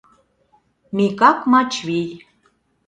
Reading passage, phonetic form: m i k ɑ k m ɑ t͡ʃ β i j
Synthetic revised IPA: m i k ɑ k m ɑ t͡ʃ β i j